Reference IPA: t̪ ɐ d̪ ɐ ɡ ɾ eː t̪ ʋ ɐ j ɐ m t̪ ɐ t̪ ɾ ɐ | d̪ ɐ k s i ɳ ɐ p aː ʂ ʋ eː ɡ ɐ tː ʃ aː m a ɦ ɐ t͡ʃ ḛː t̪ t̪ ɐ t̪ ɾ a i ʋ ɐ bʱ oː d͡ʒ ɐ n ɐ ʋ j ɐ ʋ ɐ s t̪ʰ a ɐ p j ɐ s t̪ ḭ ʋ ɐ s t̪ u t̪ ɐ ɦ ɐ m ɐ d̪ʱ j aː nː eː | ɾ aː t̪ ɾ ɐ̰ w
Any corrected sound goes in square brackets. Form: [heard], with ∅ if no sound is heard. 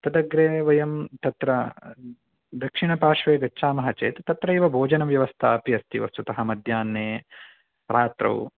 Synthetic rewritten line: t̪ ɐ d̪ ɐ ɡ ɾ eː [∅] ʋ ɐ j ɐ m t̪ ɐ t̪ ɾ ɐ | d̪ ɐ k [ʂ] i ɳ ɐ p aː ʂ ʋ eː ɡ ɐ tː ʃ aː m [ɐ] ɦ ɐ t͡ʃ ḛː t̪ t̪ ɐ t̪ ɾ [ɐ] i ʋ ɐ bʱ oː d͡ʒ ɐ n ɐ ʋ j ɐ ʋ ɐ s t̪ʰ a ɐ p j ɐ s t̪ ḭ ʋ ɐ s t̪ u t̪ ɐ ɦ ɐ m ɐ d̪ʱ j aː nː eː | ɾ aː t̪ ɾ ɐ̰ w